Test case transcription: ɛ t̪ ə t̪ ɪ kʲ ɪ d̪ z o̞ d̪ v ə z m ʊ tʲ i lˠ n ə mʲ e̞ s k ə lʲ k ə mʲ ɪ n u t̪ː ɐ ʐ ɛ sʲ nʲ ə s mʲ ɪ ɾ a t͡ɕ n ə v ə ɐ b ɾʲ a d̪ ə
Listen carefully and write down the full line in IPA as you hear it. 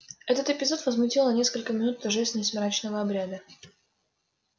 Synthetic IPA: ɛ t̪ ə t̪ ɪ pʲ ɪ z o̞ t̪ v ə z m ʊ tʲ i lˠ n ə nʲ e̞ s k ə lʲ k ə mʲ ɪ n u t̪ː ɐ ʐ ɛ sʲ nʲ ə s mʲ ɪ ɾ a t͡ɕ n ə v ə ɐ b ɾʲ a d̪ ə